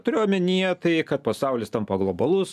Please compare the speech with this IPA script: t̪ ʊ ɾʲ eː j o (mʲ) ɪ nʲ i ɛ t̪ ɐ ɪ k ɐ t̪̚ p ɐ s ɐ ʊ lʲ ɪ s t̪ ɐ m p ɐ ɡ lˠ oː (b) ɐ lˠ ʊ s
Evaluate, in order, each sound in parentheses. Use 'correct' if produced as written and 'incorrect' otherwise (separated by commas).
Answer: correct, correct